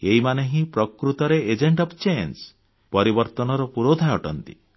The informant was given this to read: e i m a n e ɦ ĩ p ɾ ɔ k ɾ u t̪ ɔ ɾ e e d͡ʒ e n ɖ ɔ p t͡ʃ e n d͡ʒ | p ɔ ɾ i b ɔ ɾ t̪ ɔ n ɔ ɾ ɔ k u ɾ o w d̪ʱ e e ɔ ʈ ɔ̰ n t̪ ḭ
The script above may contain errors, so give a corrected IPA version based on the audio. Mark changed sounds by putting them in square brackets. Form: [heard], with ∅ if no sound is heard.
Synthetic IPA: e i m a n e ɦ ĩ p ɾ ɔ k ɾ u t̪ ɔ ɾ e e d͡ʒ e [ɳ] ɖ ɔ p t͡ʃ e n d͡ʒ | p ɔ ɾ i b ɔ ɾ t̪ ɔ n ɔ ɾ ɔ [p] u ɾ o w d̪ʱ [a] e ɔ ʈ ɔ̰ n t̪ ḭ